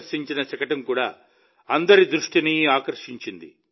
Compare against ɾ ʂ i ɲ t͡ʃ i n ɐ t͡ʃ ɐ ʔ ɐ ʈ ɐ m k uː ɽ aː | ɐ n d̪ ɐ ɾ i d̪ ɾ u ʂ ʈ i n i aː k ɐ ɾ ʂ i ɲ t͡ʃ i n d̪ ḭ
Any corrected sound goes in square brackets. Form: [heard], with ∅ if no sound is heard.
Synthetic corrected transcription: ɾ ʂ i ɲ t͡ʃ i n ɐ t͡ʃ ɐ [k] ɐ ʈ ɐ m k uː ɽ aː | ɐ n d̪ ɐ ɾ i d̪ ɾ u ʂ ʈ i n i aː k ɐ ɾ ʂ i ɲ t͡ʃ i n d̪ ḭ